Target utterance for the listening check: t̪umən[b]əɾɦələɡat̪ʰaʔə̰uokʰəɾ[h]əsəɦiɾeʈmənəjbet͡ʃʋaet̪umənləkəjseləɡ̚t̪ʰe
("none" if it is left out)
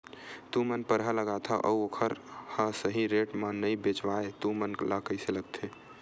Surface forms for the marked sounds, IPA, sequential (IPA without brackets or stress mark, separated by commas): p, h